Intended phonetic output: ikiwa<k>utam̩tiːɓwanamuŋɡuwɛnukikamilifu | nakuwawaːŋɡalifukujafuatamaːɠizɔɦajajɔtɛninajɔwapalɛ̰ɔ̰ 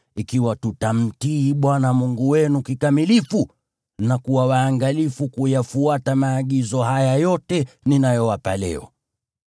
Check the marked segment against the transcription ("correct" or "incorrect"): incorrect